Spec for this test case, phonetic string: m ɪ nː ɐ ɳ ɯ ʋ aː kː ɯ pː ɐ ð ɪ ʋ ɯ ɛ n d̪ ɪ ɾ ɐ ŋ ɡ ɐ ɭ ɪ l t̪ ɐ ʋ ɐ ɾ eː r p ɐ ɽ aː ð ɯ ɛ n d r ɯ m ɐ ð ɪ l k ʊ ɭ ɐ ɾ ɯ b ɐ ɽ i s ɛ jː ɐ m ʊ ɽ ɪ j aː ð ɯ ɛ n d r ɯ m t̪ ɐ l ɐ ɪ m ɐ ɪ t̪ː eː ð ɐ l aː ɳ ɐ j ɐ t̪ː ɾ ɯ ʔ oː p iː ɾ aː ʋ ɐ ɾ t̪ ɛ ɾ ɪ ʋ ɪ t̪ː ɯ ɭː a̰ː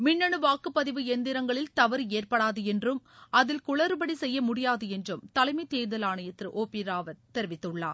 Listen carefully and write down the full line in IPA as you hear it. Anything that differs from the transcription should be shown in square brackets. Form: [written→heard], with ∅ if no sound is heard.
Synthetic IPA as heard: m ɪ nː ɐ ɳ ɯ ʋ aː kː ɯ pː ɐ ð ɪ ʋ ɯ ɛ n d̪ ɪ ɾ ɐ ŋ ɡ ɐ ɭ ɪ l t̪ ɐ ʋ ɐ ɾ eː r p ɐ ɽ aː ð ɯ ɛ n d r ɯ m ɐ ð ɪ l k ʊ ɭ ɐ ɾ ɯ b ɐ ɽ i s ɛ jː ɐ m ʊ ɽ ɪ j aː ð ɯ ɛ n d r ɯ m t̪ ɐ l ɐ ɪ m ɐ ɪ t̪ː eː ð ɐ l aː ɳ ɐ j ɐ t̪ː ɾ ɯ ʔ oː p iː ɾ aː ʋ ɐ ɾ t̪ ɛ ɾ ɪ ʋ ɪ t̪ː ɯ ɭː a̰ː

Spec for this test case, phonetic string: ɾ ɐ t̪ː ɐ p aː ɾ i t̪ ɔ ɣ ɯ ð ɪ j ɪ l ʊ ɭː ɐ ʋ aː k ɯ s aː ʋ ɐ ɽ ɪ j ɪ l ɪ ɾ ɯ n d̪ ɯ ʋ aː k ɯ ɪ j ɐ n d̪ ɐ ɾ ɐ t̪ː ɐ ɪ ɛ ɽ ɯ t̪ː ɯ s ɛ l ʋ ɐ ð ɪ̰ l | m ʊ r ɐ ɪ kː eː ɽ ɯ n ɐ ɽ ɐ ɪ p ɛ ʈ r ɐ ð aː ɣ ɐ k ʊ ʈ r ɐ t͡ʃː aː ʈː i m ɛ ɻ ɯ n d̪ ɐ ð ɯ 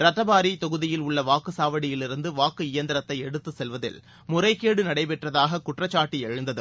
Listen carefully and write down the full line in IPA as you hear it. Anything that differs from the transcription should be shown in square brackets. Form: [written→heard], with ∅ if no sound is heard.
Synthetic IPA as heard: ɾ ɐ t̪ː ɐ [p→b] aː ɾ i t̪ ɔ ɣ ɯ ð ɪ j ɪ l ʊ ɭː ɐ ʋ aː k ɯ s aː ʋ ɐ ɽ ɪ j ɪ l ɪ ɾ ɯ n d̪ ɯ ʋ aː k ɯ ɪ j ɐ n d̪ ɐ ɾ ɐ t̪ː ɐ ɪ ɛ ɽ ɯ t̪ː ɯ s ɛ l ʋ ɐ ð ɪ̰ l | m ʊ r ɐ ɪ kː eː ɽ ɯ n ɐ ɽ ɐ ɪ p ɛ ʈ r ɐ ð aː ɣ ɐ k ʊ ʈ r ɐ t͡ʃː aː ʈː i [m→∅] ɛ ɻ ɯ n d̪ ɐ ð ɯ

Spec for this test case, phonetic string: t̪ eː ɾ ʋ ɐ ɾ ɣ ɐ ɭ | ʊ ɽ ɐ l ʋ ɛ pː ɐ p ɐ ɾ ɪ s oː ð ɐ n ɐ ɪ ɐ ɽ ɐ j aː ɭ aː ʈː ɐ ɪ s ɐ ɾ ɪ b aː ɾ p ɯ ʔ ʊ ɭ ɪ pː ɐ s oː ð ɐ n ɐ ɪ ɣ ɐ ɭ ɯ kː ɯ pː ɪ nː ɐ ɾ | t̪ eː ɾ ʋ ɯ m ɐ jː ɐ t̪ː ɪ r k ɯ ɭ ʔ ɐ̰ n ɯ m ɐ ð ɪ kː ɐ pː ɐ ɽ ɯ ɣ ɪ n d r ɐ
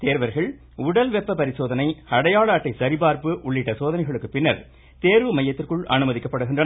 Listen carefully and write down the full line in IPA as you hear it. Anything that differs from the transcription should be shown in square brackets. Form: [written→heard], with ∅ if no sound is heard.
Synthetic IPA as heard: t̪ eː ɾ ʋ ɐ ɾ ɣ ɐ ɭ | ʊ ɽ ɐ l ʋ ɛ pː ɐ p ɐ ɾ ɪ s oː ð ɐ n ɐ ɪ ɐ ɽ ɐ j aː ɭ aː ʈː ɐ ɪ s ɐ ɾ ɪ b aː ɾ p ɯ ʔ ʊ [ɭ→ɭː] ɪ [pː→ʈː] ɐ s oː ð ɐ n ɐ ɪ ɣ ɐ ɭ ɯ kː ɯ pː ɪ nː ɐ ɾ | t̪ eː ɾ ʋ ɯ m ɐ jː ɐ t̪ː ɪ r k ɯ ɭ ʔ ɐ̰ n ɯ m ɐ ð ɪ kː ɐ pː ɐ ɽ ɯ ɣ ɪ n d r ɐ

